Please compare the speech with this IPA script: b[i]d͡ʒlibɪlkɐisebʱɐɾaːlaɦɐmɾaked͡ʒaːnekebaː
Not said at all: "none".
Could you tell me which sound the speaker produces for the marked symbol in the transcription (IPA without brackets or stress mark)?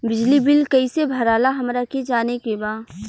ɪ